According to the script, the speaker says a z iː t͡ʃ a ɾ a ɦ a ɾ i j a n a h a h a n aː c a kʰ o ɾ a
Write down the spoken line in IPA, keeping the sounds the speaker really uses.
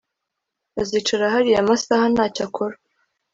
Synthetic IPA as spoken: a z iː t͡ʃ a ɾ a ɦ a ɾ i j a m a s a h a n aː c a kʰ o ɾ a